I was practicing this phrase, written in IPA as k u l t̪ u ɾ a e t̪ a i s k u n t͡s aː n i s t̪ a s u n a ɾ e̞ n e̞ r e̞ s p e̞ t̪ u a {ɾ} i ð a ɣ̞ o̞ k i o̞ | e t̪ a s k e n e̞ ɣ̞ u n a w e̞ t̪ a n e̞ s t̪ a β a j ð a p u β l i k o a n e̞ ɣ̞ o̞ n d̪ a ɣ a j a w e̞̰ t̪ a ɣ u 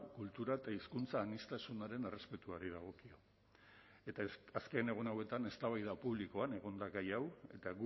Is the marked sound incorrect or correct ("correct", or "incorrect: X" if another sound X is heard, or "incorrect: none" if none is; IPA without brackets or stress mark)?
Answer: correct